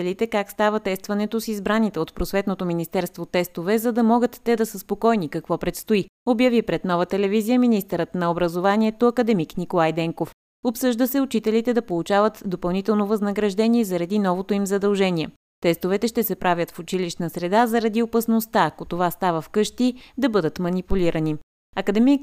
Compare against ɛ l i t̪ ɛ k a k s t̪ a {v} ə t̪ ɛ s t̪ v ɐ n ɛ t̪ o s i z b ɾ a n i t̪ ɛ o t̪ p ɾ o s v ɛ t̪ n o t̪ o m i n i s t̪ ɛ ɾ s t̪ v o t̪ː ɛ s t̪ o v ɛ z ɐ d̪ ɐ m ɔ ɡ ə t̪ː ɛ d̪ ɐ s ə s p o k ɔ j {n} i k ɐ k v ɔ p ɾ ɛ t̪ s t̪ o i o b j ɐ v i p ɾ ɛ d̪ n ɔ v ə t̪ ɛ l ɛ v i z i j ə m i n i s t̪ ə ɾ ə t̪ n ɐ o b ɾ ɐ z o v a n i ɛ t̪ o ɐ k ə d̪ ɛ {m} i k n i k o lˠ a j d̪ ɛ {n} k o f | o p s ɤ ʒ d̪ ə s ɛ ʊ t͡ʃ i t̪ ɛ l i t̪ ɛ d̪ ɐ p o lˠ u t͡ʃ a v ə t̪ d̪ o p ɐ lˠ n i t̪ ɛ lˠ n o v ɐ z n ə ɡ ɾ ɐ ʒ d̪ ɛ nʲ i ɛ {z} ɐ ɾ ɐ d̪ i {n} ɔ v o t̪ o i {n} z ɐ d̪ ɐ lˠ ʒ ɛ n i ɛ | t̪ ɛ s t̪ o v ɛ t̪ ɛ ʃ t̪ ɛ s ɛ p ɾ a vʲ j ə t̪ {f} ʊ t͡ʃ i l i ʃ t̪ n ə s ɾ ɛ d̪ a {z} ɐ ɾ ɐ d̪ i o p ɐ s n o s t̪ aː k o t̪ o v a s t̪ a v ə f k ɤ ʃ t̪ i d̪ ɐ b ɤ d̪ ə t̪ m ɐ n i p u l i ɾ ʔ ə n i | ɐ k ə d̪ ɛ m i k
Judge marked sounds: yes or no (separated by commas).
yes, yes, yes, no, yes, yes, no, yes, yes